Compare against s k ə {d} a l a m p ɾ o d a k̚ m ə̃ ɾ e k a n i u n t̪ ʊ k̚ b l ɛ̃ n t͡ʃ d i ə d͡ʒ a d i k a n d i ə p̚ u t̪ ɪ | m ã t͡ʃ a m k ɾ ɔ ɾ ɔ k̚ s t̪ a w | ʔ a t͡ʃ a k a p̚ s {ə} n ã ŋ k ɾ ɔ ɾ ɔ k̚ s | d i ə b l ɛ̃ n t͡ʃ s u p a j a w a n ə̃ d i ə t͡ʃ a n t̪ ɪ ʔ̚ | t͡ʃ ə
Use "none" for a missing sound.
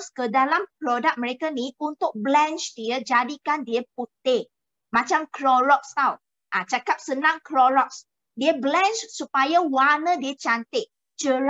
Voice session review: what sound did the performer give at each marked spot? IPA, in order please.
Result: d, ə

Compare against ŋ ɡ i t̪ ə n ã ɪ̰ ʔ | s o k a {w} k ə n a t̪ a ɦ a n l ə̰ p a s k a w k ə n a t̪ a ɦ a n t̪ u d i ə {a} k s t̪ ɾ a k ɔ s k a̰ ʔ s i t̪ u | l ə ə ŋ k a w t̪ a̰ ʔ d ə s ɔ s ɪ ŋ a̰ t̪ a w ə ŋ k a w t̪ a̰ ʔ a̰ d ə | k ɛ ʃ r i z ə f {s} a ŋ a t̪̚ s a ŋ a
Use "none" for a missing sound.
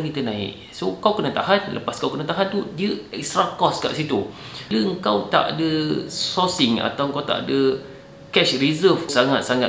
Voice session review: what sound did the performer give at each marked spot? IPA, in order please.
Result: w, ɛ, s

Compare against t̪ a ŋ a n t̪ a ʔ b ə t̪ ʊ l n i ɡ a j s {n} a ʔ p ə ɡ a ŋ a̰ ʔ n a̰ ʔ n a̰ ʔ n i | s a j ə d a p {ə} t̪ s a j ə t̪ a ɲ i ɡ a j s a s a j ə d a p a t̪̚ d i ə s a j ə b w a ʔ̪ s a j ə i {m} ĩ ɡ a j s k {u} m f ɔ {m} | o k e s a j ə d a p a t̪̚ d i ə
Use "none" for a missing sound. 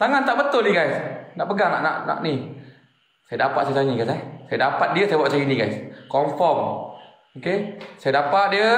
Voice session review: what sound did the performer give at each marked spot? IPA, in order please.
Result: n, a, n, ɔ, m

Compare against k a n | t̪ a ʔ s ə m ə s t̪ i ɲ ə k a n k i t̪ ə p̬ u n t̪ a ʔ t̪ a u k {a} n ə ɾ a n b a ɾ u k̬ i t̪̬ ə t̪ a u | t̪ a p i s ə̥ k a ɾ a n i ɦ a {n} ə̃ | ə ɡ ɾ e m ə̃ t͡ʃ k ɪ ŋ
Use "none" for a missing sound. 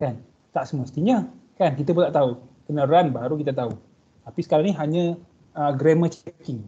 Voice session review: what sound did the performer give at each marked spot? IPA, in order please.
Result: ə, ɲ

